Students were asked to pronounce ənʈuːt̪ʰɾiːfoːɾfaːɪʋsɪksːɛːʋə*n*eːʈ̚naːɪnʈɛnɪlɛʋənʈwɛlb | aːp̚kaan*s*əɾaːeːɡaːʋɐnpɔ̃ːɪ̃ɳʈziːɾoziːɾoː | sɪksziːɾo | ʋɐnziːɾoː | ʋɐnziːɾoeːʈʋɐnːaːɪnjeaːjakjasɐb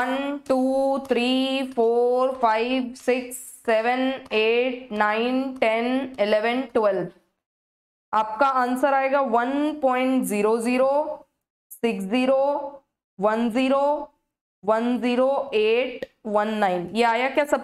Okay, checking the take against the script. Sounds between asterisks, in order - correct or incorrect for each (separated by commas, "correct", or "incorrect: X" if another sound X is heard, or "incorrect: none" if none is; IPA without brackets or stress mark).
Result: correct, correct